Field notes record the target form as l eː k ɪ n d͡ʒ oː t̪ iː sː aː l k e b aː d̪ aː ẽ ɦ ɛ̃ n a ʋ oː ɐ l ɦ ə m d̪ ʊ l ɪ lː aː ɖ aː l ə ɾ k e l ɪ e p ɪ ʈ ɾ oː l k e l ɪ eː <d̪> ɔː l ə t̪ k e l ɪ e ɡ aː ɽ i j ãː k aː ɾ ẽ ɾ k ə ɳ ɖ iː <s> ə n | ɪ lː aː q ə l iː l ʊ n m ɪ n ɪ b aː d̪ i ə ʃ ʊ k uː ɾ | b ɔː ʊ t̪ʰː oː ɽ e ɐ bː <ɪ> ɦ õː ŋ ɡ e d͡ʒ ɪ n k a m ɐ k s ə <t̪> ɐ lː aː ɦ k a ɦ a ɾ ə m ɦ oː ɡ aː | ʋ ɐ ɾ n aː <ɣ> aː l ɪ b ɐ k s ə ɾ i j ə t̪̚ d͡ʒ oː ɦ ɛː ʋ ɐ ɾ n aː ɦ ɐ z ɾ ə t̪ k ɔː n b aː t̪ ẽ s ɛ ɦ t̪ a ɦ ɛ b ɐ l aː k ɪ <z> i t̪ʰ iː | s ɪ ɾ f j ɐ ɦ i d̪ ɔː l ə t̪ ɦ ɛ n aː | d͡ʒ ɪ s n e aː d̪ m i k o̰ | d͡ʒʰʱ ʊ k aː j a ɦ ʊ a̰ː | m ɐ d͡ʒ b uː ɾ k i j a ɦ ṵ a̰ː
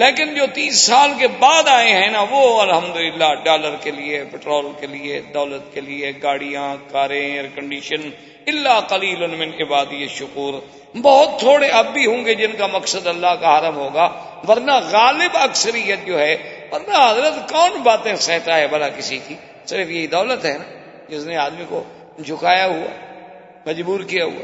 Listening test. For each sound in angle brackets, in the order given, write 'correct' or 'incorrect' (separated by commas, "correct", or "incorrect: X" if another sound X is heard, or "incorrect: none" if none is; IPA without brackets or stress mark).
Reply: correct, incorrect: ʃ, incorrect: i, incorrect: d̪, correct, incorrect: s